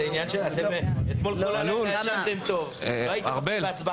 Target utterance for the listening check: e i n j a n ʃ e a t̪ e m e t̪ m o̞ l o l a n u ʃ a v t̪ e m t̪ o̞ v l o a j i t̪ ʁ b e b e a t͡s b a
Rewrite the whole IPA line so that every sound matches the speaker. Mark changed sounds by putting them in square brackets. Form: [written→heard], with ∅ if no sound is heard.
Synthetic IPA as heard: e i n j a n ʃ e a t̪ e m e t̪ m o̞ l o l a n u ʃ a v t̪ e m t̪ o̞ v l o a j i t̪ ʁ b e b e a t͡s b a